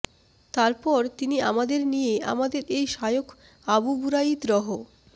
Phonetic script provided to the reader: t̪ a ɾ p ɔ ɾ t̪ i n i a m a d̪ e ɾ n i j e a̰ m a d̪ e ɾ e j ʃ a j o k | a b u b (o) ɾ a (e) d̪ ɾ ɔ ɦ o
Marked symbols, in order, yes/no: no, no

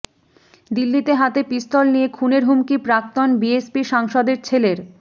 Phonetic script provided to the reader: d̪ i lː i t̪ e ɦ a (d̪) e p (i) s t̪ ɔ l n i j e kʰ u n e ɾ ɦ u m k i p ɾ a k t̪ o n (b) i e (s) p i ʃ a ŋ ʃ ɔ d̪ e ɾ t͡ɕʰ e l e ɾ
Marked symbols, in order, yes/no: no, yes, yes, yes

